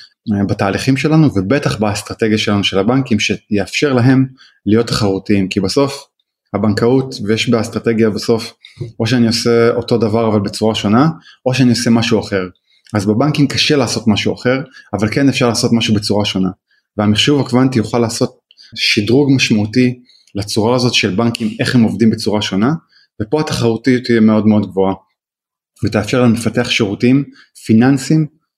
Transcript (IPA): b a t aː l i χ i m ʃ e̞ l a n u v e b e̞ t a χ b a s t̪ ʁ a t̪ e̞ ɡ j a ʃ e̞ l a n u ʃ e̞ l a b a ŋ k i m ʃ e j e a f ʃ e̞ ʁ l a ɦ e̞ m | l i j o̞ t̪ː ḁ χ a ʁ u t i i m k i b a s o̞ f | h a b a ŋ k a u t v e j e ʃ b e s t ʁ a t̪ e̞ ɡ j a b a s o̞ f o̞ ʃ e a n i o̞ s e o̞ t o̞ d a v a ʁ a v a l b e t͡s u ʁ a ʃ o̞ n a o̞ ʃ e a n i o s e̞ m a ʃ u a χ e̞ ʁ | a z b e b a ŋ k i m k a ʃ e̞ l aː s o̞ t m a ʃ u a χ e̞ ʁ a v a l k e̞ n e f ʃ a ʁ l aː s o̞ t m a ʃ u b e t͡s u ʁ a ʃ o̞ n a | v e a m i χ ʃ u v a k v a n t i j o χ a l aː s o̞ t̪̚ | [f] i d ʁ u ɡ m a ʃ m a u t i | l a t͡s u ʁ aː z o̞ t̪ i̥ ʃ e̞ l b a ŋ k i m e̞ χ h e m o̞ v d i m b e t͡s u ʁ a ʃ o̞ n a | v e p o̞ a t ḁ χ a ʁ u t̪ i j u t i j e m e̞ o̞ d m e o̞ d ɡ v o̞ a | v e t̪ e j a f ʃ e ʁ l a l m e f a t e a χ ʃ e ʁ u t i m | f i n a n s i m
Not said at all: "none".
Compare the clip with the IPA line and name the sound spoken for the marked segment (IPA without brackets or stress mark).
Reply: ʃ